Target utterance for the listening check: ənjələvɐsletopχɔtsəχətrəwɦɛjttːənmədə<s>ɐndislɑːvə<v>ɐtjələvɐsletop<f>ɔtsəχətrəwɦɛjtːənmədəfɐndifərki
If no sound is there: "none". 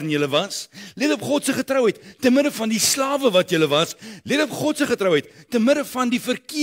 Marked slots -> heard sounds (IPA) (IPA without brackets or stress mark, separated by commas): f, v, χ